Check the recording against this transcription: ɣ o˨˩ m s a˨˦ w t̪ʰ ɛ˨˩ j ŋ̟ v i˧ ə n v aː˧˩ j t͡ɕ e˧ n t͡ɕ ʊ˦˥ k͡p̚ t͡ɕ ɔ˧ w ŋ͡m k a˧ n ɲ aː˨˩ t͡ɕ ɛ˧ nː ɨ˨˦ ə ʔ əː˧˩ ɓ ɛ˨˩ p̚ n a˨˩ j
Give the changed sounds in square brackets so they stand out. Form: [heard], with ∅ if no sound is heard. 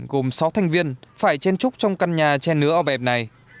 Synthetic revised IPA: ɣ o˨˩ m s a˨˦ w t̪ʰ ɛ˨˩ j ŋ̟ v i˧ ə n [f] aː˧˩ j t͡ɕ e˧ n t͡ɕ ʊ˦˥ k͡p̚ t͡ɕ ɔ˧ w ŋ͡m k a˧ n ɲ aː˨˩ t͡ɕ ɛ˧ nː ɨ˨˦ ə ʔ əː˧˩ ɓ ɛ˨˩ p̚ n a˨˩ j